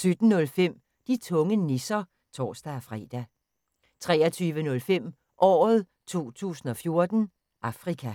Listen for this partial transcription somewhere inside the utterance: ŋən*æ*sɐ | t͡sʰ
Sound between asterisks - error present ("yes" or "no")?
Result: yes